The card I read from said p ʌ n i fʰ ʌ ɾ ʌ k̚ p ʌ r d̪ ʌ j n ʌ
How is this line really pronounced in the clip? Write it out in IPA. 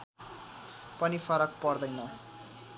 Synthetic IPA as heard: p ʌ n i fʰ ʌ ɾ ʌ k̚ p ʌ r d̪ ʌ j n ʌ